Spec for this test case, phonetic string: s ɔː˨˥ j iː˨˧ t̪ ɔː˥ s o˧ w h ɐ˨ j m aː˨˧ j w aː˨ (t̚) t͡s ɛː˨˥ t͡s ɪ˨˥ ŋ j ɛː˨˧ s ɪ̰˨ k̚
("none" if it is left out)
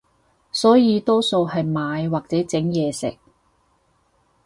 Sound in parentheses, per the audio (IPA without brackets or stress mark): k̚